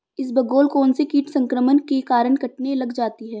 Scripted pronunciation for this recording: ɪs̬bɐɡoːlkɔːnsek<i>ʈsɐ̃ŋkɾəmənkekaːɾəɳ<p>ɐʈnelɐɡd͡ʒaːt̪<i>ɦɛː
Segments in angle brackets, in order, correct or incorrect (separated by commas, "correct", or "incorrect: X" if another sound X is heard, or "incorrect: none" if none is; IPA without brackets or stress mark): incorrect: iː, incorrect: k, correct